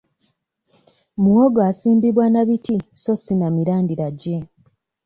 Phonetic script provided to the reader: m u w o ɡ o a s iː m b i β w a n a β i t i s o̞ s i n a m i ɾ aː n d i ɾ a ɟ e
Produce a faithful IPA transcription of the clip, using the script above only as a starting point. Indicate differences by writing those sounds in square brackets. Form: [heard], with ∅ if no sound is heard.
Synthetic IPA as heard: m u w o ɡ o a s iː m b i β w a n a β i t i s o̞ s i n a m i ɾ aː n d i ɾ a ɟ e